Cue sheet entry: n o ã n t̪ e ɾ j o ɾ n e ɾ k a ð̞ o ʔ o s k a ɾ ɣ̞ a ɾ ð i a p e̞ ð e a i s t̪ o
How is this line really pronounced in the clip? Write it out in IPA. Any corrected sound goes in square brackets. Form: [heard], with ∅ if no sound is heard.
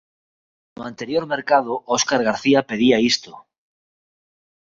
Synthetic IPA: n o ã n t̪ e ɾ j o ɾ [m] e ɾ k a ð̞ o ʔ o s k a ɾ ɣ̞ a ɾ [θ] i a p e̞ ð [i] a i s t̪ o